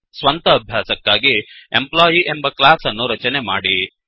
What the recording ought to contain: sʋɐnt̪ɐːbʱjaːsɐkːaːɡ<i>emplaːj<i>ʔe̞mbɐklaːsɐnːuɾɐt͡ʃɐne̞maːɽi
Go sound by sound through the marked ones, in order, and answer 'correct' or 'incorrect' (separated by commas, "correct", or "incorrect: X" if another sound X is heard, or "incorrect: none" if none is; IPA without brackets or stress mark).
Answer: correct, correct